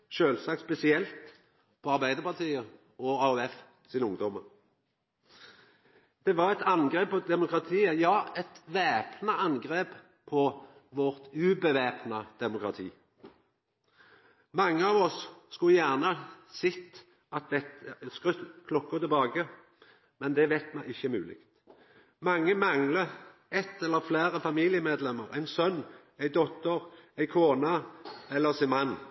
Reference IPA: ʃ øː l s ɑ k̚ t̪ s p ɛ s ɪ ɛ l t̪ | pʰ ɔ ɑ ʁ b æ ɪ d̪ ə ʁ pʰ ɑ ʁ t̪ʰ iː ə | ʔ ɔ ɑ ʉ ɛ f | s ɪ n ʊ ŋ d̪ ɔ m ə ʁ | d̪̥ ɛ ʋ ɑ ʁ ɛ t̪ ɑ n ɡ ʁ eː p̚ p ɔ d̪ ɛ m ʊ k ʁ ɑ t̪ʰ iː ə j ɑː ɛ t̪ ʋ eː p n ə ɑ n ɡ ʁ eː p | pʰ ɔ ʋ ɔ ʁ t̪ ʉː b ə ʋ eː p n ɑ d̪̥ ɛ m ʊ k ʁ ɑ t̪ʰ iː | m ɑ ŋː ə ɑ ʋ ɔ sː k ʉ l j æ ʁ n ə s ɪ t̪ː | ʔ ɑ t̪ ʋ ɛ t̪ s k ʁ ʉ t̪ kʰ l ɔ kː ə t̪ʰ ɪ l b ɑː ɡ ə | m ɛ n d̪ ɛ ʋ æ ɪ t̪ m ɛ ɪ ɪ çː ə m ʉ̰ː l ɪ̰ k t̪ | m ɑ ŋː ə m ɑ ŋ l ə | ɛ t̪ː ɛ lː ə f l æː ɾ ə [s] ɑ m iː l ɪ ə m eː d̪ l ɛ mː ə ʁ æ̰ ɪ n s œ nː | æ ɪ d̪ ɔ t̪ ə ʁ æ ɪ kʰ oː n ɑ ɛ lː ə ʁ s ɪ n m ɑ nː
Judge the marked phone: incorrect: f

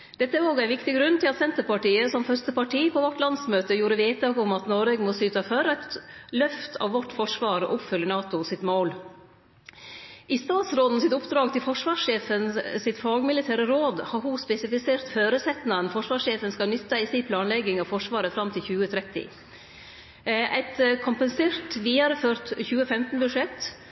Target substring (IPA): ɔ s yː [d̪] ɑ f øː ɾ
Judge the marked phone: incorrect: t̪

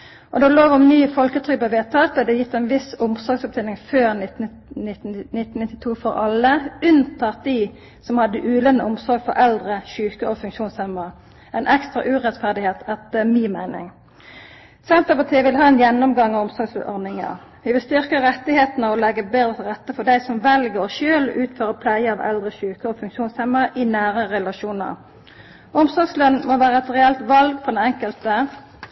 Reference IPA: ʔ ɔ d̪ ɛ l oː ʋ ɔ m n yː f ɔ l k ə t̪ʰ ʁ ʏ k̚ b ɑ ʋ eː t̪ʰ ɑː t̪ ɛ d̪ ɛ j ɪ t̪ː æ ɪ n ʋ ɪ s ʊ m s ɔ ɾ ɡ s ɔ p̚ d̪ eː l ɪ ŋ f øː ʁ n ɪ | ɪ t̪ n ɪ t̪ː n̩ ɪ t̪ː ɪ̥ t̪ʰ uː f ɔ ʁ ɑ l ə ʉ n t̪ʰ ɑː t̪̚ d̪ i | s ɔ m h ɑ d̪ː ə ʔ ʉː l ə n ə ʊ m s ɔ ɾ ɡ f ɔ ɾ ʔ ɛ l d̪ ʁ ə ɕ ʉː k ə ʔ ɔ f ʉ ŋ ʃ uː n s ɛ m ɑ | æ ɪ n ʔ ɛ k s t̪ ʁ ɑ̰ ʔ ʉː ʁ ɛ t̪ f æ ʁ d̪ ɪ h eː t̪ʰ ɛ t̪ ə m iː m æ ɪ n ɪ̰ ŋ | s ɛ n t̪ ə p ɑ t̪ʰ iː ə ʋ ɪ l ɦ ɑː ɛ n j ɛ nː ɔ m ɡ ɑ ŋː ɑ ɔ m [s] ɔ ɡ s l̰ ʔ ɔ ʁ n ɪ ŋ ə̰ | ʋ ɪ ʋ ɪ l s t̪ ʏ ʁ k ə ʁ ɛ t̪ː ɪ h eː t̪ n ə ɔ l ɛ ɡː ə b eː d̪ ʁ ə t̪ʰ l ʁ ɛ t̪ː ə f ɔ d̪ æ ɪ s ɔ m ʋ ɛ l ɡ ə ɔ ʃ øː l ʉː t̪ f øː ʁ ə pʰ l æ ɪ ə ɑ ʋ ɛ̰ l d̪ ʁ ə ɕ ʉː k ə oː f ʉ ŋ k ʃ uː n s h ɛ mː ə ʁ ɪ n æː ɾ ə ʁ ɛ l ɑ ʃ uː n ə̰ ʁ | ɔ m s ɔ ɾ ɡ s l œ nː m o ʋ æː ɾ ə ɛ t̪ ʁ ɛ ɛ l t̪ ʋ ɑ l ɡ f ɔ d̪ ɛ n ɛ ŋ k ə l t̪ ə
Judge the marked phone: correct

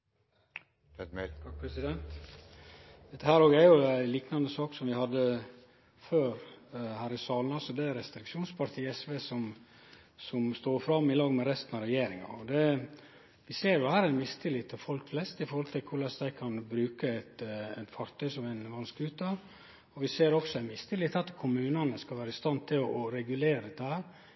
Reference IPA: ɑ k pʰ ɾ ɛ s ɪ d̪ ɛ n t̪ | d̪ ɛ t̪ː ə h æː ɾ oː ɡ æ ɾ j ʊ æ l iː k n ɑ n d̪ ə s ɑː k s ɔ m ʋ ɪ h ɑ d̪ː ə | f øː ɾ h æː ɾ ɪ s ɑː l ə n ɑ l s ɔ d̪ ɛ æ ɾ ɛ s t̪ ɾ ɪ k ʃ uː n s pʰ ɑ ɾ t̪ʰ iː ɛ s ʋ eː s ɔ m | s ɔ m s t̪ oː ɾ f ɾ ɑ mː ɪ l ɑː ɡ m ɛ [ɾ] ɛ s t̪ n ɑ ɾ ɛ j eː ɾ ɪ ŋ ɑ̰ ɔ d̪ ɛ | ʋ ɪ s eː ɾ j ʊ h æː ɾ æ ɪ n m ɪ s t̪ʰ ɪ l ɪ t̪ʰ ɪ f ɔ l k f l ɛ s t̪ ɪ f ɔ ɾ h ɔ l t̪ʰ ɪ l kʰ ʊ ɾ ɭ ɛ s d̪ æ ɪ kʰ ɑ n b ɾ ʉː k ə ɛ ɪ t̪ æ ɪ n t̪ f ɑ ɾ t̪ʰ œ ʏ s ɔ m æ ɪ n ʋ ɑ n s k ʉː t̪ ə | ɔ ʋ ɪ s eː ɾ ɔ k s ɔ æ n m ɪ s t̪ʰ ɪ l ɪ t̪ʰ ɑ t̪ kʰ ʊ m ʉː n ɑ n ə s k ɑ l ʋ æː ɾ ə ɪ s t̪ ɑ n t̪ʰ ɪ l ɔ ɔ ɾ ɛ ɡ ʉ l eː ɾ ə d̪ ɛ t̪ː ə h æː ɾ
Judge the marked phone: correct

